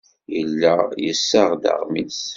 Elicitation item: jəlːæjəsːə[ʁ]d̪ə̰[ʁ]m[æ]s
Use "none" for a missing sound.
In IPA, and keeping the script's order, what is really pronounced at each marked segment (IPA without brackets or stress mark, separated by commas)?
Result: ʁ, ʁ, i